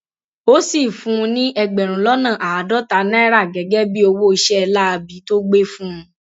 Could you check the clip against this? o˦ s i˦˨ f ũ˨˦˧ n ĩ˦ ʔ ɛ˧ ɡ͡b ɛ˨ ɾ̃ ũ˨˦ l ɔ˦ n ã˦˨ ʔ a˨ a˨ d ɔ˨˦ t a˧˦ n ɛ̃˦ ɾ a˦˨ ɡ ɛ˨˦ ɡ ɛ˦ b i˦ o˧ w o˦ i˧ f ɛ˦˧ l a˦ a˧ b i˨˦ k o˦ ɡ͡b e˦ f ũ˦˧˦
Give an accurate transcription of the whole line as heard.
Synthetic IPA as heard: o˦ s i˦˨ f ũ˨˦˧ n ĩ˦ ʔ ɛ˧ ɡ͡b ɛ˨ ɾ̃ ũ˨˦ l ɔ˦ n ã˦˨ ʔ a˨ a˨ d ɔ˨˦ t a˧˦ n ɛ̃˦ ɾ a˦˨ ɡ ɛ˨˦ ɡ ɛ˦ b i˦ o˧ w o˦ i˧ ʃ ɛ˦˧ l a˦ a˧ b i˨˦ t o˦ ɡ͡b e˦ f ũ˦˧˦